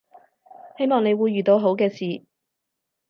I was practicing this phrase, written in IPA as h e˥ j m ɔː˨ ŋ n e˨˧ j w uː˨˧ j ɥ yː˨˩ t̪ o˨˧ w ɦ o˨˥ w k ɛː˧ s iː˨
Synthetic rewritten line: h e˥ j m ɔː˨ ŋ n e˨˧ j w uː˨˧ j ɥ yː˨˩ t̪ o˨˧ w ɦ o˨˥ w k ɛː˧ s iː˨